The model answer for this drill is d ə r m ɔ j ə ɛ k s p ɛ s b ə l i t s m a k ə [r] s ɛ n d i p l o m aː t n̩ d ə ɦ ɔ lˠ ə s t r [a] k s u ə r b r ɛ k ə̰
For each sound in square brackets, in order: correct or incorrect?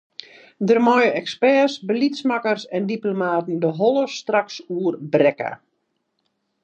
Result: correct, correct

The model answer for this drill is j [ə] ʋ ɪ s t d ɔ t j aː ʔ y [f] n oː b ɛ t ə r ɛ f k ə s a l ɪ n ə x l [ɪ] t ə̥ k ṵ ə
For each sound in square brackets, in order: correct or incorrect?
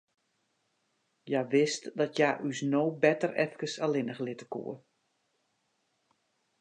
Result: incorrect: a, incorrect: s, correct

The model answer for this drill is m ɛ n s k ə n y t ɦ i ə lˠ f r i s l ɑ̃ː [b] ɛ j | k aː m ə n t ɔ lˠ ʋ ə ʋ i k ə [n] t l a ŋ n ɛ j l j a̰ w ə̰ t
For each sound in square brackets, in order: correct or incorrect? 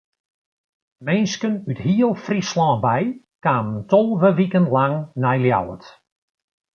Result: correct, correct

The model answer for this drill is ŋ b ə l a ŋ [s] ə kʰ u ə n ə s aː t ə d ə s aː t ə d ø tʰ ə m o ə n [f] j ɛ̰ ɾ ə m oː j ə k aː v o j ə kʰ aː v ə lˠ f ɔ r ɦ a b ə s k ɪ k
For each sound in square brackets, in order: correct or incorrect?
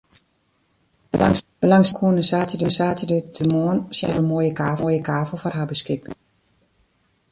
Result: correct, incorrect: s

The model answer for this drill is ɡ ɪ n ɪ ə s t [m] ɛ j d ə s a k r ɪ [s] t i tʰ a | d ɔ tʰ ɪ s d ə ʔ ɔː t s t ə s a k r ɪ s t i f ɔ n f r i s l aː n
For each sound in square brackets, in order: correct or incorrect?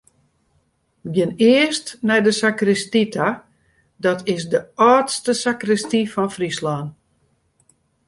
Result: incorrect: n, correct

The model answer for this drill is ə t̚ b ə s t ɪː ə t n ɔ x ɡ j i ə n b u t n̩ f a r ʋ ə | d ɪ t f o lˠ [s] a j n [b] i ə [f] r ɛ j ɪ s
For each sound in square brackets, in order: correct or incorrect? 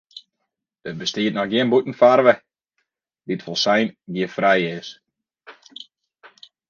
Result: correct, incorrect: ɡ, correct

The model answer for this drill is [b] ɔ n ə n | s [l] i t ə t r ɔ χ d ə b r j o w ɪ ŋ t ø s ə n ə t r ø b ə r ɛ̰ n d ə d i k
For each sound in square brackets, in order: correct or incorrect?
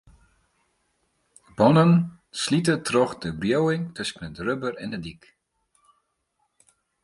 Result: correct, correct

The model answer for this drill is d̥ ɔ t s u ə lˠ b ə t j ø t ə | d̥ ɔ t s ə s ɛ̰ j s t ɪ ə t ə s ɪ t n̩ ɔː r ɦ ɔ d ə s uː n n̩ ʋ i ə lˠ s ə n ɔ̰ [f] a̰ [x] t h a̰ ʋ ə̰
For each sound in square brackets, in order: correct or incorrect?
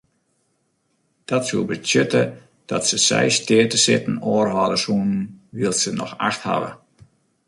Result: incorrect: x, correct

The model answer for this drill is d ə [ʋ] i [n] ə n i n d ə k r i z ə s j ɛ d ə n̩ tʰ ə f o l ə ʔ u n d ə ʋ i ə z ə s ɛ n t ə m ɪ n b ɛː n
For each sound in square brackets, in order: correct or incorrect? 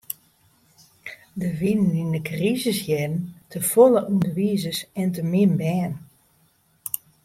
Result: correct, correct

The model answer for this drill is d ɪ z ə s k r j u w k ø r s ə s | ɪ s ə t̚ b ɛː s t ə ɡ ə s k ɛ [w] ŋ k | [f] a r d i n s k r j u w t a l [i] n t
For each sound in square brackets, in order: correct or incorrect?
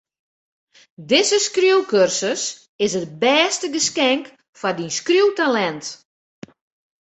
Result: incorrect: none, correct, incorrect: ɛ

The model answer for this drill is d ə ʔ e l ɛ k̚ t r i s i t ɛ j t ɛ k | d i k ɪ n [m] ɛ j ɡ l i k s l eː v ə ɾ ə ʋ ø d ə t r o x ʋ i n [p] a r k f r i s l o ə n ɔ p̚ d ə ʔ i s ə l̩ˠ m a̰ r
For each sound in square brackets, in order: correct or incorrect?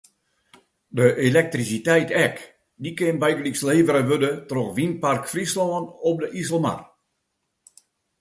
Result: incorrect: b, correct

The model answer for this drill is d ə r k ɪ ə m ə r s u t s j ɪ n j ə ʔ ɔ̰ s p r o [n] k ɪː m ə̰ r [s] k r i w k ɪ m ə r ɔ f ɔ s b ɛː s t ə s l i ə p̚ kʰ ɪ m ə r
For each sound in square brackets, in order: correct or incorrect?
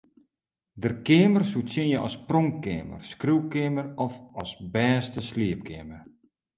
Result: incorrect: ŋ, correct

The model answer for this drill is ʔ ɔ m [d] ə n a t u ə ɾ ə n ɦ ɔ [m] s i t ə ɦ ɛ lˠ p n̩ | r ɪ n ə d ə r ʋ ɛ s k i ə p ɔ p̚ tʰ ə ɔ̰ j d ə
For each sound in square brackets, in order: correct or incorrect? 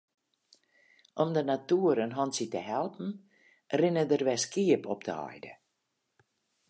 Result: correct, incorrect: n

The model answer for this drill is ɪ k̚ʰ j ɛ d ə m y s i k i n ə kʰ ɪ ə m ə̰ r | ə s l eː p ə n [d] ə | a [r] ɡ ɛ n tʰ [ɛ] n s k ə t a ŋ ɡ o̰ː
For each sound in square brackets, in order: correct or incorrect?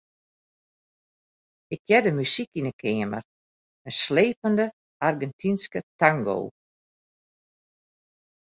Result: correct, correct, incorrect: i

